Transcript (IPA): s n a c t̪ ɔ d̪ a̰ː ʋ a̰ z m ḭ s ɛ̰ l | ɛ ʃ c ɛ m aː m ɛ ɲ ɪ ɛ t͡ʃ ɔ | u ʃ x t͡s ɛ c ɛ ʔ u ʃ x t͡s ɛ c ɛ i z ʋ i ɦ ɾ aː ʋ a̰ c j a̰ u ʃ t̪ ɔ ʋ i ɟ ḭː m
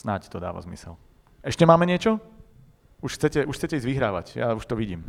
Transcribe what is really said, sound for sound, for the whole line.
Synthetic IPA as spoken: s n a c t̪ ɔ d̪ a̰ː ʋ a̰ z m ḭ s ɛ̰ l | ɛ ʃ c ɛ m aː m ɛ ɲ ɪ ɛ t͡ʃ ɔ | u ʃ x t͡s ɛ c ɛ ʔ u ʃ x t͡s ɛ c ɛ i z ʋ i ɦ ɾ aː ʋ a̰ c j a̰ u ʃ t̪ ɔ ʋ i ɟ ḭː m